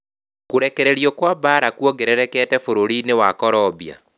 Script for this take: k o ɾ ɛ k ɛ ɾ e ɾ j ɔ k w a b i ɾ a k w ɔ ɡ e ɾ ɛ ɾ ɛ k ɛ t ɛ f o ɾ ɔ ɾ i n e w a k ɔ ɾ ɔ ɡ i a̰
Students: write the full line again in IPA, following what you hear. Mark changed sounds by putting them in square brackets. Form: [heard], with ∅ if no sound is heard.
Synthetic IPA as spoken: k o ɾ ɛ k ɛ ɾ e ɾ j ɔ k w a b [a] ɾ a k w ɔ ɡ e ɾ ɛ ɾ ɛ k ɛ t ɛ f o ɾ [o] ɾ i n e w a k ɔ ɾ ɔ [b] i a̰